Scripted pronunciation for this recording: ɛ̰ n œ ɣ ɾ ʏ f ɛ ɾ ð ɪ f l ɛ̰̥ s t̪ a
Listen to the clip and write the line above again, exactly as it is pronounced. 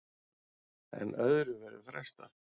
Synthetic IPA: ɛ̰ n œ ð ɾ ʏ v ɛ ɾ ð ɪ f ɾ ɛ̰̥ s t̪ a